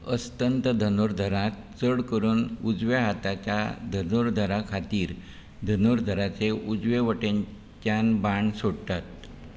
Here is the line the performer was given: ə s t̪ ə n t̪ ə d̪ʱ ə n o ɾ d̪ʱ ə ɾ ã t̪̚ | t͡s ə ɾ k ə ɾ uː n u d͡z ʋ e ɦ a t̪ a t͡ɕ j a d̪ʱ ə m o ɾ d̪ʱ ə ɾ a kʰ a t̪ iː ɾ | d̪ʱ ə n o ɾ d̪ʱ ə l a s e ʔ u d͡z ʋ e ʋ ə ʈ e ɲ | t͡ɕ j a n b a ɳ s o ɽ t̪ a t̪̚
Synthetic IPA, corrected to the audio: ə s t̪ ə n t̪ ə d̪ʱ ə n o ɾ d̪ʱ ə ɾ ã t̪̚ | t͡s ə ɽ k ə ɾ uː n u d͡z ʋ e ɦ a t̪ a t͡ɕ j a d̪ʱ ə n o ɾ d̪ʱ ə ɾ a kʰ a t̪ iː ɾ | d̪ʱ ə n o ɾ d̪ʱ ə ɾ a t͡s e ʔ u d͡z ʋ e ʋ ə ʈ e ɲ | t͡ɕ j a n b a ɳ s o ɽ t̪ a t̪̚